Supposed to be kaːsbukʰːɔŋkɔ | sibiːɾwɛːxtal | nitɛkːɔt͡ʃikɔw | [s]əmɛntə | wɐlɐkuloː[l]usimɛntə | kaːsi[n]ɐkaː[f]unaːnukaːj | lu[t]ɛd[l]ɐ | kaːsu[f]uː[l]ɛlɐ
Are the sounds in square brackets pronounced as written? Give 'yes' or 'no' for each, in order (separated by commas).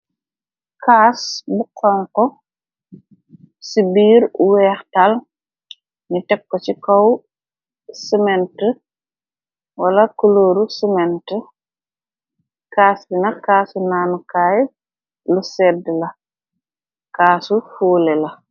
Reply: yes, no, yes, no, no, yes, yes, yes